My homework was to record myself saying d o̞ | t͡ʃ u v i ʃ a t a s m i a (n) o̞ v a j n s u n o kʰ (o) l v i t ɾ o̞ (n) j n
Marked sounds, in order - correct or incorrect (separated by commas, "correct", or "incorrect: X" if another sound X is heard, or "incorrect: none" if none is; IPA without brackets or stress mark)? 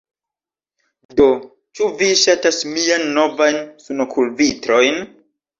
incorrect: nː, incorrect: u, incorrect: none